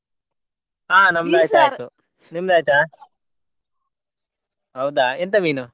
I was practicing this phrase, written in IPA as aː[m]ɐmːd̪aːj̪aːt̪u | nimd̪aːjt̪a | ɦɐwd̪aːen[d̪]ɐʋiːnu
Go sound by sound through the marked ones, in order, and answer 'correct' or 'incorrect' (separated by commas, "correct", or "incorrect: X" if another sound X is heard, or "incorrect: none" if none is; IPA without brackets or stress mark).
incorrect: n, incorrect: t̪